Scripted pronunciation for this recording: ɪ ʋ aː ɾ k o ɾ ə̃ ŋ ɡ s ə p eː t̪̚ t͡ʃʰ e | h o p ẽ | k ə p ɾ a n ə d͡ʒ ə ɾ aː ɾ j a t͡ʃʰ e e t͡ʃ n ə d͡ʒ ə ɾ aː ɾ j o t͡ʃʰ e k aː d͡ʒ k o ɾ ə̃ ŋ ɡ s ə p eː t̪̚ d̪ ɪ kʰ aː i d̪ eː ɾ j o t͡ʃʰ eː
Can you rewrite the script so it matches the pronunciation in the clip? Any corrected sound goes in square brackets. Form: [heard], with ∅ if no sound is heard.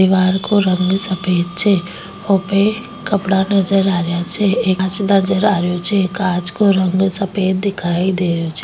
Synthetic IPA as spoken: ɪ ʋ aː ɾ k o ɾ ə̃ ŋ ɡ s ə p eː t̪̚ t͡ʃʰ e | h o p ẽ | k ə p [ɽ] a n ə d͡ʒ ə ɾ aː ɾ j a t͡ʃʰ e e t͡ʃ n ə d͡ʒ ə ɾ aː ɾ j o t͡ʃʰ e k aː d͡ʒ k o ɾ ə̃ ŋ ɡ s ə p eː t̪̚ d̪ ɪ kʰ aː i d̪ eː ɾ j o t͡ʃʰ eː